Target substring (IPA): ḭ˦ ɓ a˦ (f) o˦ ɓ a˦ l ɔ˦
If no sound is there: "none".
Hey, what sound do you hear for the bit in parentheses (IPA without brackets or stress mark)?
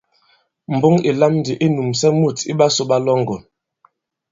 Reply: s